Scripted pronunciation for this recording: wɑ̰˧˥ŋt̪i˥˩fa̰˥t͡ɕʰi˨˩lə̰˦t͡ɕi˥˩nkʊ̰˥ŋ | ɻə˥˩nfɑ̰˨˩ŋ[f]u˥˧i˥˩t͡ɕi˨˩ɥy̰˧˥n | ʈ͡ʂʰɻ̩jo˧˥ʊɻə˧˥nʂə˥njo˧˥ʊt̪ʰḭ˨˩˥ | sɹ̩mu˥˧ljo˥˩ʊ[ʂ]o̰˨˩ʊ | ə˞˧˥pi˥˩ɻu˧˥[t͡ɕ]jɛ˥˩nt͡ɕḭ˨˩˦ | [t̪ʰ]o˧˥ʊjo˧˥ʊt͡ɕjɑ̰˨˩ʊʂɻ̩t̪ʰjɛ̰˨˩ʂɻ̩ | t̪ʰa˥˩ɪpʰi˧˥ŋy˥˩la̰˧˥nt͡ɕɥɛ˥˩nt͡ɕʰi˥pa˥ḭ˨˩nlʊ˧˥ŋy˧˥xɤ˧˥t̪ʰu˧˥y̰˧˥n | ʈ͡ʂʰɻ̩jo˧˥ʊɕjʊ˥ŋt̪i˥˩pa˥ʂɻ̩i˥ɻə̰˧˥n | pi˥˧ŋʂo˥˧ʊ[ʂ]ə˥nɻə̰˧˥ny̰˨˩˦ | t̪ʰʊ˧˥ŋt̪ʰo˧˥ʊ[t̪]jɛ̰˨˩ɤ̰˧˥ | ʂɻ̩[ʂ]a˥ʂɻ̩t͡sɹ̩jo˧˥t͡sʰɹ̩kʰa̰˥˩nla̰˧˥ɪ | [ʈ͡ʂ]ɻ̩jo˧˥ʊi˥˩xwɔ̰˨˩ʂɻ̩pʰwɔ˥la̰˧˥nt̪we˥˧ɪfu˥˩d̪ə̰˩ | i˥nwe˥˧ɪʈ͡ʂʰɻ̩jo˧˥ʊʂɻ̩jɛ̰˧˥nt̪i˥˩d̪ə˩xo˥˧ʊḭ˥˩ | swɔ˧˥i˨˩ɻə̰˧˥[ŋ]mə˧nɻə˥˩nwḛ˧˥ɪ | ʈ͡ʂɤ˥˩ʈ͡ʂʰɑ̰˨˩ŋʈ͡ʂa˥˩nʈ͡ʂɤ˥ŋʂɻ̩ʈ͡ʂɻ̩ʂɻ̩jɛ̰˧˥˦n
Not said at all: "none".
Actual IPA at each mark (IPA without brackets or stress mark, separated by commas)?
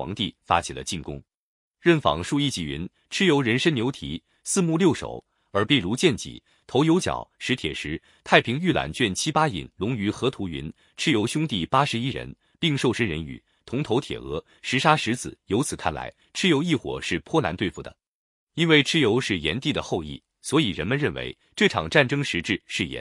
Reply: ʂ, ʂ, t͡ɕ, t̪ʰ, ʂ, t̪ʰ, ʂ, ʈ͡ʂʰ, n